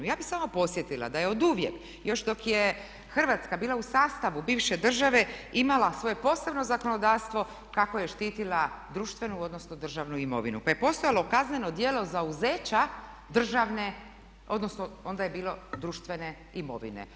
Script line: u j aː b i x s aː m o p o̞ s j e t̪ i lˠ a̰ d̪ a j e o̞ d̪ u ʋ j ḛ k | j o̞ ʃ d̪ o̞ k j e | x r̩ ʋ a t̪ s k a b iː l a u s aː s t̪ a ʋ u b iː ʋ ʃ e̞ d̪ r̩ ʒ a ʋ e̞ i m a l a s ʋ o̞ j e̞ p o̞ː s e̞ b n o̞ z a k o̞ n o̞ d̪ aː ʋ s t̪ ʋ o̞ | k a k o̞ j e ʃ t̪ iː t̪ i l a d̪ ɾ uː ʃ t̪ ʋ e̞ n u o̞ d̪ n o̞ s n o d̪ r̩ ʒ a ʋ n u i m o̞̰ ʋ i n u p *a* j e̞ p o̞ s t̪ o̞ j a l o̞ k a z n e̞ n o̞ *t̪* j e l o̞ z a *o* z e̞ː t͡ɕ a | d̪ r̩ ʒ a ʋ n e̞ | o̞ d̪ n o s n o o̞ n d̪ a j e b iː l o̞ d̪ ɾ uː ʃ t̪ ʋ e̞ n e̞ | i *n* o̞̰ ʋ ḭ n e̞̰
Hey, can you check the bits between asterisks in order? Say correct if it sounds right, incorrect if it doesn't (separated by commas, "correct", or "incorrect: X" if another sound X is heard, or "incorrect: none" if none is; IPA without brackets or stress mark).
correct, incorrect: d̪, incorrect: u, incorrect: m